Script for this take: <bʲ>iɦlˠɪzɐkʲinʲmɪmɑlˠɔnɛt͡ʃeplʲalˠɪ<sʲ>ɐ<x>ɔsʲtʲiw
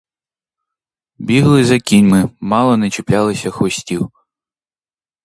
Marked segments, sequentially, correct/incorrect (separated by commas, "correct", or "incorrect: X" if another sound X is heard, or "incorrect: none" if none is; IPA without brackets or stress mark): correct, correct, correct